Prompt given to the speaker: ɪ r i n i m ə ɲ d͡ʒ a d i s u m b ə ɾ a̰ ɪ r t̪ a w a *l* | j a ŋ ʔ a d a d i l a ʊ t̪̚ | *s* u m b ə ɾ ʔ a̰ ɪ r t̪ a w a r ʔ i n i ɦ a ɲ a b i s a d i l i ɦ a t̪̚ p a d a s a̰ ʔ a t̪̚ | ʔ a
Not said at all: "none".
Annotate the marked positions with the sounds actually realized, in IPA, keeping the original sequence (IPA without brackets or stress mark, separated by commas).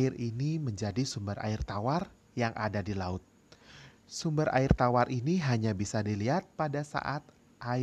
r, s